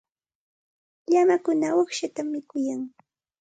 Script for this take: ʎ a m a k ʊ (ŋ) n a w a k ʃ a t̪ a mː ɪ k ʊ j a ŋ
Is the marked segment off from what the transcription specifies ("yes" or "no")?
yes